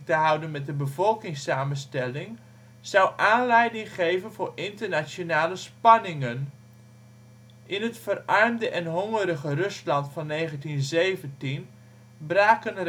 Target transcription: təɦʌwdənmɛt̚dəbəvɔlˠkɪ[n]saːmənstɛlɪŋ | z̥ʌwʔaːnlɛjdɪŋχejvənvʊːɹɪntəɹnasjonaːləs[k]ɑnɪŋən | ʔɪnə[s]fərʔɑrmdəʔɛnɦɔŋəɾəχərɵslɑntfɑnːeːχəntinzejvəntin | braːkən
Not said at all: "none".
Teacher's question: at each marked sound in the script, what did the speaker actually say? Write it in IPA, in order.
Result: ŋ, p, t

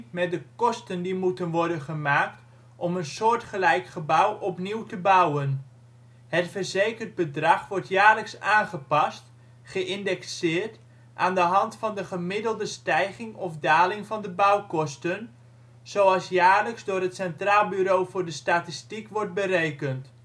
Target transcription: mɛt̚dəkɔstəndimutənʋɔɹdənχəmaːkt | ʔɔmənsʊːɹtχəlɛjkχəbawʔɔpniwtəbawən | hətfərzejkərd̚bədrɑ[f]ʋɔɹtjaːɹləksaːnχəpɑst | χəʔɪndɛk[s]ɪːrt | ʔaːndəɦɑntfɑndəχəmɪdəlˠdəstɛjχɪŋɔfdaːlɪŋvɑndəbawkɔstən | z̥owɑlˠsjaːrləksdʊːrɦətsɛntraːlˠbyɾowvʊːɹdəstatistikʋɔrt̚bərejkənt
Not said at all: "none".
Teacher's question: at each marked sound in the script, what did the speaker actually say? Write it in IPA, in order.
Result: χ, s

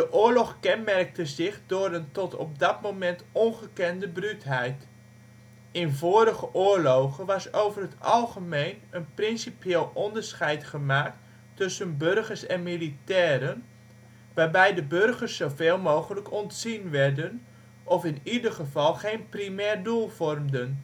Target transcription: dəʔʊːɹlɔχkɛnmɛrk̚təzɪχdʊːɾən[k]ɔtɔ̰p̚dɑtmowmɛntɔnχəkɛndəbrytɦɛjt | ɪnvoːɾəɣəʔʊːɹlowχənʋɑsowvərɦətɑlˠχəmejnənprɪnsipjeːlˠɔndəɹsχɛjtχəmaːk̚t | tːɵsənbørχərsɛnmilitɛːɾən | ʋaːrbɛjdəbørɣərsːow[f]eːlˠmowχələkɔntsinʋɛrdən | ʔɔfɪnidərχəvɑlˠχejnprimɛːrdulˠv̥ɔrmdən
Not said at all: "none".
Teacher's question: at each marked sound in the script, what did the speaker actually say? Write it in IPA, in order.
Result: t, v

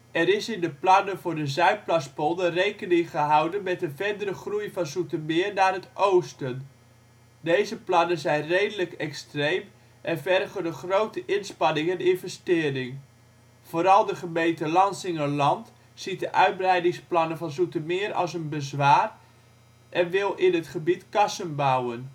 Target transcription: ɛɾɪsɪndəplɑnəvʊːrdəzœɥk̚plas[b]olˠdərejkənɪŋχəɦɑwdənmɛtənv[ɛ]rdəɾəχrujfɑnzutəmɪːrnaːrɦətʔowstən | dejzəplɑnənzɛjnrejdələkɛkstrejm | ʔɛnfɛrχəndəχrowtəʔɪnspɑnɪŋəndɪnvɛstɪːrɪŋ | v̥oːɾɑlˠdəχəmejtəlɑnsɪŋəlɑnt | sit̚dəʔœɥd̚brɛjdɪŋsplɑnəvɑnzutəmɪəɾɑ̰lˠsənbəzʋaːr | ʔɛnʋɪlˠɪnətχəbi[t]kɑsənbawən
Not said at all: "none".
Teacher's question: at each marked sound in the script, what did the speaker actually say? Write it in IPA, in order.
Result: p, ɛ, t

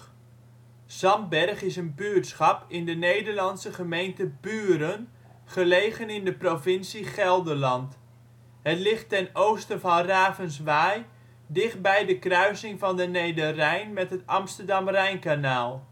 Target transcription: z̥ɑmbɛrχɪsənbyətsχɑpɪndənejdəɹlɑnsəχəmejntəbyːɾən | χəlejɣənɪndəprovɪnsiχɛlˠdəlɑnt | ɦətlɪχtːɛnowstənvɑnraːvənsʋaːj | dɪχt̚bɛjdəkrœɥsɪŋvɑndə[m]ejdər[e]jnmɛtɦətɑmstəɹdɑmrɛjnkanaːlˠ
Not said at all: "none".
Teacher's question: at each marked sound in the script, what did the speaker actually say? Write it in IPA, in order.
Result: n, ɛ

